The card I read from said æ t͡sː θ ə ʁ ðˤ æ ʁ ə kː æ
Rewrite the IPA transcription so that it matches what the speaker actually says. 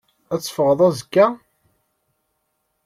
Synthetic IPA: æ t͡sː f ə ʁ ðˤ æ z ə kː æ